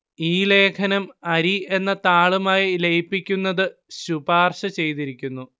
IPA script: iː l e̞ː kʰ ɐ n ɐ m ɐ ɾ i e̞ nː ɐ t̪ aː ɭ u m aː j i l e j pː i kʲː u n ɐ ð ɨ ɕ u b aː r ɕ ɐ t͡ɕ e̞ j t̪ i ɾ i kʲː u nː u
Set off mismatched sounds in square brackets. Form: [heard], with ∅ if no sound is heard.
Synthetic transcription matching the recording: iː l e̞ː kʰ ɐ n ɐ m ɐ ɾ i e̞ nː ɐ t̪ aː ɭ u m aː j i l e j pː i kʲː u [nː] ɐ ð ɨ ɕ u b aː r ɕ ɐ t͡ɕ e̞ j t̪ i ɾ i kʲː u nː u